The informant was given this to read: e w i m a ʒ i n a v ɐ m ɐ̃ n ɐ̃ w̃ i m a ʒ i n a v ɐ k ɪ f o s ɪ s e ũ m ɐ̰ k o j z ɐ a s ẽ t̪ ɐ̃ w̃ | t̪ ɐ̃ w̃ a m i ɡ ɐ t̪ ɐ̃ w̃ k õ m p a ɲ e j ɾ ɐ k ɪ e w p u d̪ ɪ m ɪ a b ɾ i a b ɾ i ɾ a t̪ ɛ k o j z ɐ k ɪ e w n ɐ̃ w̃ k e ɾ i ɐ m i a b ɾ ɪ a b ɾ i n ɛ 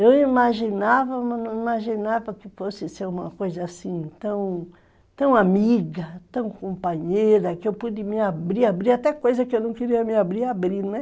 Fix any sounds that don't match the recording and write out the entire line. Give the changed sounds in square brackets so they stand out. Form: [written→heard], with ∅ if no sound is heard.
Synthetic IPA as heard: e w i m a ʒ i n a v ɐ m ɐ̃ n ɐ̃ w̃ i m a ʒ i n a v ɐ k ɪ f o s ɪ s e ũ m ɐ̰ k o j z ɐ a s [ẽ→ĩ] t̪ ɐ̃ w̃ | t̪ ɐ̃ w̃ a m i ɡ ɐ t̪ ɐ̃ w̃ k õ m p a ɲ e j ɾ ɐ k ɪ e w p u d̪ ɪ m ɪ a b ɾ i a b ɾ i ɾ a t̪ ɛ k o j z ɐ k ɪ e w n ɐ̃ w̃ k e ɾ i ɐ m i a b ɾ [ɪ→i] a b ɾ i n ɛ